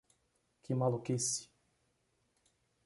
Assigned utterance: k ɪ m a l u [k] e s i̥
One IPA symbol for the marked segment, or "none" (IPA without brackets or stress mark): k